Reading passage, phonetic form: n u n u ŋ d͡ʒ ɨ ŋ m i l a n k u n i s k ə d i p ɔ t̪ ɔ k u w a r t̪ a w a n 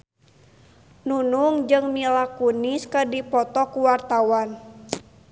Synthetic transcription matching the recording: n u n u ŋ d͡ʒ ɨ ŋ m i l a k u n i s k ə d i p ɔ t̪ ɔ k u w a r t̪ a w a n